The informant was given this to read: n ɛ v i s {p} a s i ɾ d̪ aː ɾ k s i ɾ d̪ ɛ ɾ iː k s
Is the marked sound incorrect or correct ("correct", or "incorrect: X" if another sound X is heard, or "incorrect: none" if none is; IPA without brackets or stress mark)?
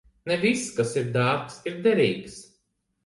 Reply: incorrect: k